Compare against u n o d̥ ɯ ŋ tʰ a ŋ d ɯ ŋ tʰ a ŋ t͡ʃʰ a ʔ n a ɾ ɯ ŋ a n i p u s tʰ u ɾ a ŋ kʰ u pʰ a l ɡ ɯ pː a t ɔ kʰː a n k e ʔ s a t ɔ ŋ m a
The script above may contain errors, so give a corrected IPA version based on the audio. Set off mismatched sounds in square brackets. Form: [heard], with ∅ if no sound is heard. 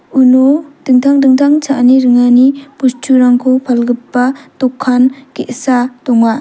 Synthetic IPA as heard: u n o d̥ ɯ ŋ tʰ a ŋ d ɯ ŋ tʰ a ŋ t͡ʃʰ a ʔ n [i] ɾ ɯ ŋ a n i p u s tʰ u ɾ a ŋ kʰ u pʰ a l ɡ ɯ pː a t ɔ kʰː a n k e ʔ s a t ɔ ŋ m a